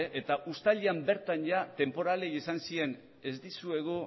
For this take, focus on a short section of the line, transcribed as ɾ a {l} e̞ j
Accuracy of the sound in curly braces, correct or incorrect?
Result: correct